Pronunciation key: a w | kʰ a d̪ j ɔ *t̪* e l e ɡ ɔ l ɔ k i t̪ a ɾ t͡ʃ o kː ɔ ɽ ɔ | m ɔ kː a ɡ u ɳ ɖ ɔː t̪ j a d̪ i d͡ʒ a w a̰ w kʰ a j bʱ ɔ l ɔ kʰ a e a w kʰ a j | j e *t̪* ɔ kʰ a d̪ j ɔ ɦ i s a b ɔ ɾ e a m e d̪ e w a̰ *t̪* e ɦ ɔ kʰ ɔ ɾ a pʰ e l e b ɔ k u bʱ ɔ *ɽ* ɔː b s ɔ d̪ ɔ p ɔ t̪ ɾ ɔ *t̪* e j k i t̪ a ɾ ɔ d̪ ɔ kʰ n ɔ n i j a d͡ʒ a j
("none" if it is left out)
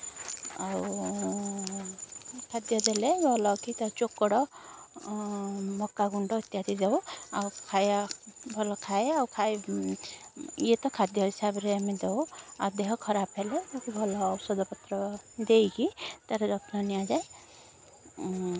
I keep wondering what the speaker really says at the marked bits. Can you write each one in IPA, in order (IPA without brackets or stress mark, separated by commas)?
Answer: d̪, t̪, d̪, l, d̪